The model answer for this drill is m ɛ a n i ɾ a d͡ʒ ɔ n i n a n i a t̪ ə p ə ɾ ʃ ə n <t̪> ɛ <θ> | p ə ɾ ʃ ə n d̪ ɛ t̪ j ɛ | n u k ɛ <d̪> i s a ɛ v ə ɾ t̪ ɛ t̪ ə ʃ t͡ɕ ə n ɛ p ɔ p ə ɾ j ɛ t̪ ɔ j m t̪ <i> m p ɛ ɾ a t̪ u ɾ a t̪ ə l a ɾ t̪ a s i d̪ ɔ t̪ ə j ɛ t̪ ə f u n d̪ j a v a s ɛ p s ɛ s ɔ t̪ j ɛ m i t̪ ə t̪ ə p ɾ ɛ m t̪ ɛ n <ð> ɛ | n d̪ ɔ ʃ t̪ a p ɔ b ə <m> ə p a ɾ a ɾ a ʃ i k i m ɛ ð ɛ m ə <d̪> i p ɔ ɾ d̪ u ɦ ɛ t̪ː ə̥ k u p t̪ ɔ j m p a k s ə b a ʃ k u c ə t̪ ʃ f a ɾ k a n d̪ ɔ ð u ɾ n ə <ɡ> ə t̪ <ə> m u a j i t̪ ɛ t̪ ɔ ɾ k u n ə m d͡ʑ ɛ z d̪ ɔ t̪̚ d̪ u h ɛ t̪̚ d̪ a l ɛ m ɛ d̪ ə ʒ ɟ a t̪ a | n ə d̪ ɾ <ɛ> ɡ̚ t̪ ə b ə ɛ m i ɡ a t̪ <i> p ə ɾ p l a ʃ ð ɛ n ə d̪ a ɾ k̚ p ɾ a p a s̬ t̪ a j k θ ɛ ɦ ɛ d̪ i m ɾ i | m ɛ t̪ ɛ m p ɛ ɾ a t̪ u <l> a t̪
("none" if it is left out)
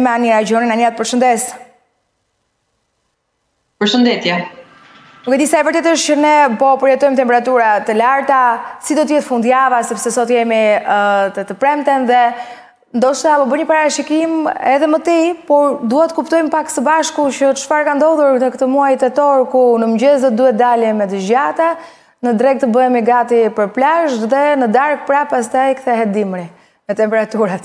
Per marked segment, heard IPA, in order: d̪, s, d̪, ɛ, ð, ɲ, t̪, k, ə, ɛ, i, ɾ

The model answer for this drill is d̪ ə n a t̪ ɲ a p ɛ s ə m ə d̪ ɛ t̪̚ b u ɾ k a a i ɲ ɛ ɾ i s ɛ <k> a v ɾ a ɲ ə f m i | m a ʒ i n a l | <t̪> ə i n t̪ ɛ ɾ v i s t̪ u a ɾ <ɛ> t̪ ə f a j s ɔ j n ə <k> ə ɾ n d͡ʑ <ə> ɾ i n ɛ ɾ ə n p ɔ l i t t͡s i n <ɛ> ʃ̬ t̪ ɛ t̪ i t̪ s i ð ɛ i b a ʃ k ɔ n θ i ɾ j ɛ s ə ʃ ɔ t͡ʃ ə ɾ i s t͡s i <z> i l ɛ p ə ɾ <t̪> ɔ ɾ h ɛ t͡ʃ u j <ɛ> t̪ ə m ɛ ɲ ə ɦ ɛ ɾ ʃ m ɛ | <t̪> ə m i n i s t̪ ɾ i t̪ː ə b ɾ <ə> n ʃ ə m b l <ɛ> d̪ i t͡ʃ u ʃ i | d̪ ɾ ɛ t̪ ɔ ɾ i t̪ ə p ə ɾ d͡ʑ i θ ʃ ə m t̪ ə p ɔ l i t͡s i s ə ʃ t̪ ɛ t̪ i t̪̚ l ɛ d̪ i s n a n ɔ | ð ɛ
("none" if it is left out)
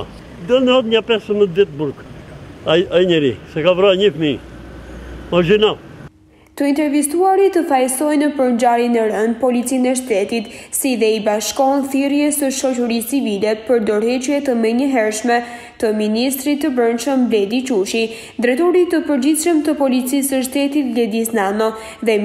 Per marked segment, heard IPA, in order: k, t̪, i, p, a, ɛ, v, d̪, ɛ, t̪, ə, ɛ

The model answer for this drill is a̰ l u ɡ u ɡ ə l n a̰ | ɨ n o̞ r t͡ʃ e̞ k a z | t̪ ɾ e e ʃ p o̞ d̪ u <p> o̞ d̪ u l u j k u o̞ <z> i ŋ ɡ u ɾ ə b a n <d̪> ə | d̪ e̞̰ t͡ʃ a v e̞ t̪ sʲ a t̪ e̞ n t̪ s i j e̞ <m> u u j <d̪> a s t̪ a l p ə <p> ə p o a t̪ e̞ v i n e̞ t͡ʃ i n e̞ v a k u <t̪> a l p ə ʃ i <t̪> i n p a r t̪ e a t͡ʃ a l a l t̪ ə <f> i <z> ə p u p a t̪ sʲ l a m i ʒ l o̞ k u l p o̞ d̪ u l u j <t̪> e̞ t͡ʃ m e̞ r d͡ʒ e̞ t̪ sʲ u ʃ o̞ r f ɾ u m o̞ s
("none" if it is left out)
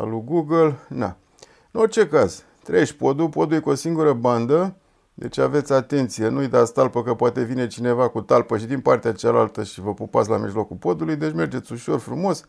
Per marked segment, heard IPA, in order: p, s, d̪, n, d̪, k, t̪, d̪, ʃ, v, d̪

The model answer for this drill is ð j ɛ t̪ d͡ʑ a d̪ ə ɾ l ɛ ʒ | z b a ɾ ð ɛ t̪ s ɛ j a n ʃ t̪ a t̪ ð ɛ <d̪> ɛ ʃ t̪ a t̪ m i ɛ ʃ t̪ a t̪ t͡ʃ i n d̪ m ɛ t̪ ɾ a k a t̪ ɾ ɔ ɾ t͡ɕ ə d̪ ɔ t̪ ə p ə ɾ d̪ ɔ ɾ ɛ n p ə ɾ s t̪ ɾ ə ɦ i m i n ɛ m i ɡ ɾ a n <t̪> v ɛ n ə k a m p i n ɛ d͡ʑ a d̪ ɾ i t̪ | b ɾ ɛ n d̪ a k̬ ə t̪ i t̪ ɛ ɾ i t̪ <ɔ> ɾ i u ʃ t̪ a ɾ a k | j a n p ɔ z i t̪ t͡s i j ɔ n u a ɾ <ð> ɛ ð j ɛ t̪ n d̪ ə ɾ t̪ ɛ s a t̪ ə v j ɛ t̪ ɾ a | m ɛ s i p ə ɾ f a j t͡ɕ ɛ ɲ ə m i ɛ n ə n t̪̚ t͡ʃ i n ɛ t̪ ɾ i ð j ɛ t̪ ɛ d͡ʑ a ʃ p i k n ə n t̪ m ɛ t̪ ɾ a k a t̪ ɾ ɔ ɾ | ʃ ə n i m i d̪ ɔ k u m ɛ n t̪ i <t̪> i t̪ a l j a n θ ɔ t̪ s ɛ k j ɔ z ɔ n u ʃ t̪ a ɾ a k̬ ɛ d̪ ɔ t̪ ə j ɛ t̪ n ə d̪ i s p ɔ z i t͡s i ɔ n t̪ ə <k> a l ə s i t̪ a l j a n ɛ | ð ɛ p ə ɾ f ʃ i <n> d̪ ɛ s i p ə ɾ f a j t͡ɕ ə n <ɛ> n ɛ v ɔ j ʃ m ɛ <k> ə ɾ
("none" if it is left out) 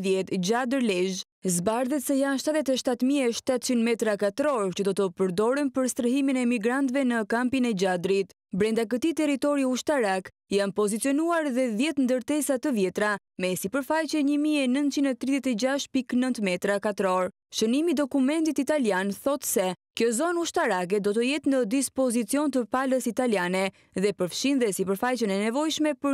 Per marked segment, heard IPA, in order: t̪, t̪, ɔ, ð, t̪, p, n, ɛ, p

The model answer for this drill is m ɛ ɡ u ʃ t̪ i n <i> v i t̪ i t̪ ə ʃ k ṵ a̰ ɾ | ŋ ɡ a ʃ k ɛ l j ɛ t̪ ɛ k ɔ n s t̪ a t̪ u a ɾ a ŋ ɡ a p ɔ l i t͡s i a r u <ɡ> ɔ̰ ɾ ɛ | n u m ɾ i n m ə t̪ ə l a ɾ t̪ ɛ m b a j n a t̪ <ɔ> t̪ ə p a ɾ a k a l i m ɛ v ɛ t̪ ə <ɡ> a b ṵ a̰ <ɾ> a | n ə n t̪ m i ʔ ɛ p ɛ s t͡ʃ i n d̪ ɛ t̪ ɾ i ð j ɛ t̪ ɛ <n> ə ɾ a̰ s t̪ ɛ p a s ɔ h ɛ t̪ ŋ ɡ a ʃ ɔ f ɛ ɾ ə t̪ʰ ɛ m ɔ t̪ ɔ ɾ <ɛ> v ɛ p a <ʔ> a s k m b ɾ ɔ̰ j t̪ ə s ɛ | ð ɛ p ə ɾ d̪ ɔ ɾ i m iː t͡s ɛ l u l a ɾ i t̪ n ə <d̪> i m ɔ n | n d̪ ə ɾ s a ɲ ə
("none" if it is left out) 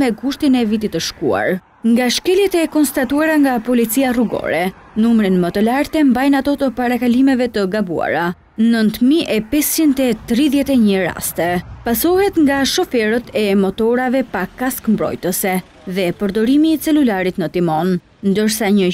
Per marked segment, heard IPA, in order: ɛ, ɡ, ɔ, ɡ, ɾ, ɲ, a, k, t̪

